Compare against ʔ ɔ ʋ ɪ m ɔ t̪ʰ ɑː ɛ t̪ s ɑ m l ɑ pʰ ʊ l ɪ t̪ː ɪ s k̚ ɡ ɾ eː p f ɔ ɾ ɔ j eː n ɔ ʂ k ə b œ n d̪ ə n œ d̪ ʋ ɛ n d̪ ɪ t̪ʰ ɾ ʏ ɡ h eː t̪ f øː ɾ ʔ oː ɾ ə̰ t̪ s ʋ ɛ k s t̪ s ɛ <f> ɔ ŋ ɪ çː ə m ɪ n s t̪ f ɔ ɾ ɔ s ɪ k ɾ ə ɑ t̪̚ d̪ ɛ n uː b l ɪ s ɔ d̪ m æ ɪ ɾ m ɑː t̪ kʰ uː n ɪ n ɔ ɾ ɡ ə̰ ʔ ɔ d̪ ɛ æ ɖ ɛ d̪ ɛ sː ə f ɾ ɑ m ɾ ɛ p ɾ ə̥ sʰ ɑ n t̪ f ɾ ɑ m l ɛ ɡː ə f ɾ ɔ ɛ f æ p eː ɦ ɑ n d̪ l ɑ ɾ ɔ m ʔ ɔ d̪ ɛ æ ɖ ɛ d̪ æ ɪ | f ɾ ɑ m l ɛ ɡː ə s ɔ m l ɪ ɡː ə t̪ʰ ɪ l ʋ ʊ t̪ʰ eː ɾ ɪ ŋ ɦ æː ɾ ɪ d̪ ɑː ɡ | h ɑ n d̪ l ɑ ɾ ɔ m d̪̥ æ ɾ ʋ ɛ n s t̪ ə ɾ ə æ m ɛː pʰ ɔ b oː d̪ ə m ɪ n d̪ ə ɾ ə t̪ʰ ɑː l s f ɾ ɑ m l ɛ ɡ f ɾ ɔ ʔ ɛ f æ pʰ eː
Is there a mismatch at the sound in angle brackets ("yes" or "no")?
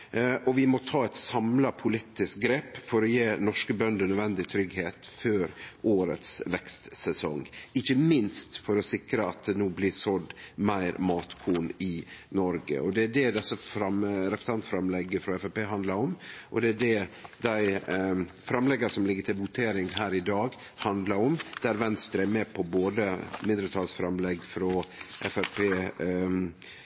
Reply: yes